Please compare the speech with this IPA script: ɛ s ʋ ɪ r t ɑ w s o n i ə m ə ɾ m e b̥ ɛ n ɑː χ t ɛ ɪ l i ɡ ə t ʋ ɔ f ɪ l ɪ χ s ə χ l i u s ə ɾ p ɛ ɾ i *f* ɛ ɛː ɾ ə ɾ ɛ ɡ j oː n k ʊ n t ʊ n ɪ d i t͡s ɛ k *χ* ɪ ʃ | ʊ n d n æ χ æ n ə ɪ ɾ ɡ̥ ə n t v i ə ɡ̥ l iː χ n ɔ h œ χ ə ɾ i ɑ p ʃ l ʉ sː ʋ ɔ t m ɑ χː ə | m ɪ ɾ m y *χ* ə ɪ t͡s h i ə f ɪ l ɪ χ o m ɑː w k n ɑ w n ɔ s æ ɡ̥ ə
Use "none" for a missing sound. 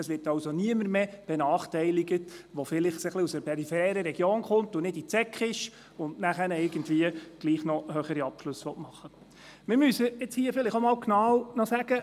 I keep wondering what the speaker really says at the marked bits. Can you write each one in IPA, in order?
f, χ, s

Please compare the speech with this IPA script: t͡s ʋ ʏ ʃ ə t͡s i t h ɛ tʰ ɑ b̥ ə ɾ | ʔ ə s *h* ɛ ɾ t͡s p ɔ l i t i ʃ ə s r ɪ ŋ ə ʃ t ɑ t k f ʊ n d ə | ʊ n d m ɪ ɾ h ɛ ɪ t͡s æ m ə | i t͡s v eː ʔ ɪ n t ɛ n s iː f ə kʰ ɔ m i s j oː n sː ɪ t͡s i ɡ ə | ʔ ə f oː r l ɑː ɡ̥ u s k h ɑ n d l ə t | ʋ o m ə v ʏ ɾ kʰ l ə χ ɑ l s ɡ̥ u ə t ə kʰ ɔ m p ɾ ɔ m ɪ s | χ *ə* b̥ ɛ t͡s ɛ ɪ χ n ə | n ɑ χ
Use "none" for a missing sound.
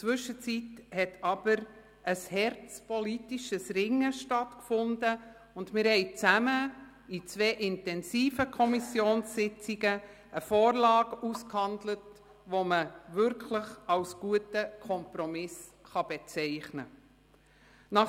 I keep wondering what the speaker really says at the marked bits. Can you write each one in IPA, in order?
h, ɑ

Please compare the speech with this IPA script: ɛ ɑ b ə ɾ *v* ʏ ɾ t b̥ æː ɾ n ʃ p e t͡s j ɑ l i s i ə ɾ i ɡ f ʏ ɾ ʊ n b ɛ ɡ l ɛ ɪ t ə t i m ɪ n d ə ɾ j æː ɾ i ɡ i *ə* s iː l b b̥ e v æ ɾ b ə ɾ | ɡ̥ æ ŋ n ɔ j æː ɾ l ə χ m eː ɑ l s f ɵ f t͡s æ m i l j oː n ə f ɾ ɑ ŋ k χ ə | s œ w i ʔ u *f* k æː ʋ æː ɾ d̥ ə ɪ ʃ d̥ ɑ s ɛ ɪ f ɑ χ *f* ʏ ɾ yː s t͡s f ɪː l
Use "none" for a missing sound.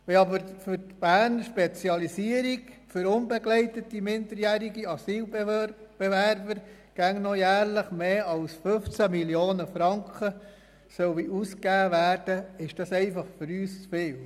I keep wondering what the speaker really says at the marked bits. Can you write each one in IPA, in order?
f, ɑ, s, f

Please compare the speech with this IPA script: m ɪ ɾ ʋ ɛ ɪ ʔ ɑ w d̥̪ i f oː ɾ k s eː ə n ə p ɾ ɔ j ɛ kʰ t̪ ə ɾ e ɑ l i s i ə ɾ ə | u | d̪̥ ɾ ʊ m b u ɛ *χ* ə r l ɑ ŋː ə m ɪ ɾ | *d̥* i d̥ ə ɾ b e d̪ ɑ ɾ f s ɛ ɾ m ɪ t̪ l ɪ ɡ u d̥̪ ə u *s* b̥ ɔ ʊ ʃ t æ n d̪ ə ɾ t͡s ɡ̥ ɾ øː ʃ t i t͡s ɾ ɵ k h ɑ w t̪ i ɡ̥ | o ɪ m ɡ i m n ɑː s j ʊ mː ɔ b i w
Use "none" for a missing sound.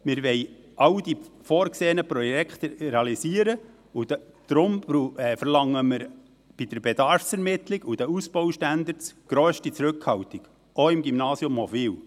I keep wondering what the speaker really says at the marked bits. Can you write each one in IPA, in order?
f, b̥, s

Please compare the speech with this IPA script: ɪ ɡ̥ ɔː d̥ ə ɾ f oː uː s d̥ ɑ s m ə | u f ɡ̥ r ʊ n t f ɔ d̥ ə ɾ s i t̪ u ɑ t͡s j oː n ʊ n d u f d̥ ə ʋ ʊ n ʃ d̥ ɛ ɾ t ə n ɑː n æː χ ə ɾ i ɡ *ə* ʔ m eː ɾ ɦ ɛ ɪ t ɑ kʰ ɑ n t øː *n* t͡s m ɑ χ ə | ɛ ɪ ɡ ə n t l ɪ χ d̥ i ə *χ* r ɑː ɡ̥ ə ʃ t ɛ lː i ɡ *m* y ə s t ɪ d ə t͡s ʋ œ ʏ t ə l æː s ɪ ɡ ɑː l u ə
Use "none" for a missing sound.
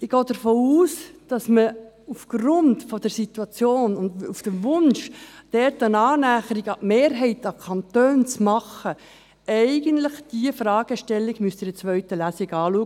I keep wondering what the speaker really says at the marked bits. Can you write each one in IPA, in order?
ɑ, n, f, m

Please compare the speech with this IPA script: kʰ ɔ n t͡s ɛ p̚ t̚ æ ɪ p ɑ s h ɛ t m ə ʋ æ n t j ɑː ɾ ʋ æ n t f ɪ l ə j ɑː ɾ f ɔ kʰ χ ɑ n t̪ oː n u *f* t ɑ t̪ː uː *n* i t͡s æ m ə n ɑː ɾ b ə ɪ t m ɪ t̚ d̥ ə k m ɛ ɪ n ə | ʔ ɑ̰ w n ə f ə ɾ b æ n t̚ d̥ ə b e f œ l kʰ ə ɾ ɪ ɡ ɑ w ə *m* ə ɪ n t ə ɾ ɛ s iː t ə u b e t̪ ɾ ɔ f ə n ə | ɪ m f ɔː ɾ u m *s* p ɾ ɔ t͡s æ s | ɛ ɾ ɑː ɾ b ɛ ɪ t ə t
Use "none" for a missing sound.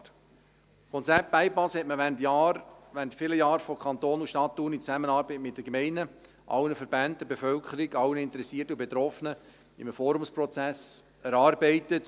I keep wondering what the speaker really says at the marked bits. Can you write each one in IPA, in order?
ʃ, n, n, s

